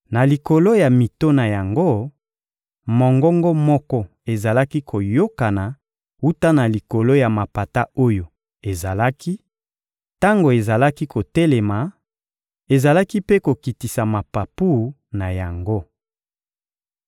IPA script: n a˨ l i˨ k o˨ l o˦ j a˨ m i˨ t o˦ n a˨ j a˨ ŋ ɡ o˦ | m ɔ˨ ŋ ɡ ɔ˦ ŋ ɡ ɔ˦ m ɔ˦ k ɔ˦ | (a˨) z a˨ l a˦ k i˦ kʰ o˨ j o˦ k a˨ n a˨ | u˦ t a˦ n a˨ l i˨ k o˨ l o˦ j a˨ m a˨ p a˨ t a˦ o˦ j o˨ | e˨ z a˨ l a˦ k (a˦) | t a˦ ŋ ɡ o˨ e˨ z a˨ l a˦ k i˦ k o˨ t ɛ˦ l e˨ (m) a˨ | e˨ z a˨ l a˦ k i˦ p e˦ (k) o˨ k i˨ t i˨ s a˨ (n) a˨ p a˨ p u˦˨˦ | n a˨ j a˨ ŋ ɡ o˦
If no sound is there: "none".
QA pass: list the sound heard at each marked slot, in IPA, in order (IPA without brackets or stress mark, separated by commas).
e˨, i˦, m, k, m